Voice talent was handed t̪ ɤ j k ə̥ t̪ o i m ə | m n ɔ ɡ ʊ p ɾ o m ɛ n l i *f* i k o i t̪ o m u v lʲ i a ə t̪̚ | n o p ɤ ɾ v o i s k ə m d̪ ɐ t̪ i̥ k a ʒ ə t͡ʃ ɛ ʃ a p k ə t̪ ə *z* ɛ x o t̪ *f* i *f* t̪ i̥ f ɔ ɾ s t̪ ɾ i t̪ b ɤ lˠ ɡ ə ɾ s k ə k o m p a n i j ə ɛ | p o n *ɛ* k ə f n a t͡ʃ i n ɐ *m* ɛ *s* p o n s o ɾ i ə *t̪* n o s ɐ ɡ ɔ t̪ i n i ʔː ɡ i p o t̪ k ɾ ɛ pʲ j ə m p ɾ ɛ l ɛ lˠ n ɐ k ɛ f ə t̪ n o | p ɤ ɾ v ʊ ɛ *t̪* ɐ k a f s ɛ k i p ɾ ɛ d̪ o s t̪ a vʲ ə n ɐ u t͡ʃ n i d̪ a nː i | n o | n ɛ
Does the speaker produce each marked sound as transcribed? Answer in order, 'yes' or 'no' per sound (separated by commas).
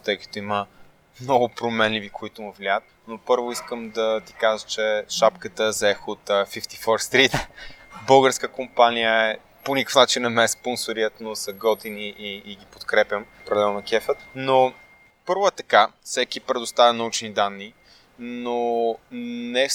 no, yes, yes, yes, no, yes, yes, yes, yes